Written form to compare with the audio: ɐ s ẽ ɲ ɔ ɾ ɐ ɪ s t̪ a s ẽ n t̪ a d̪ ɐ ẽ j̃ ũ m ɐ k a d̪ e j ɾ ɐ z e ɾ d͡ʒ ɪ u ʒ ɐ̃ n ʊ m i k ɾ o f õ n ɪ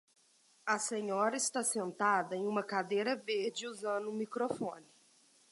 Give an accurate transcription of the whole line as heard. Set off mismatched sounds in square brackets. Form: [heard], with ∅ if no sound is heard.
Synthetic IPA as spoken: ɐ s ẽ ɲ ɔ ɾ ɐ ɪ s t̪ a s ẽ n t̪ a d̪ ɐ ẽ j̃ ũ m ɐ k a d̪ e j ɾ ɐ [v] e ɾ d͡ʒ ɪ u [z] ɐ̃ n ʊ m i k ɾ o f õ n ɪ